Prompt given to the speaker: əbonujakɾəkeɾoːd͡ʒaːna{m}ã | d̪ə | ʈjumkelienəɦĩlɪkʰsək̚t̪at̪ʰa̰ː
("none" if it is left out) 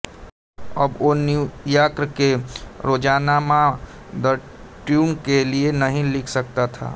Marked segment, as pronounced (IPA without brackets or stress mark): m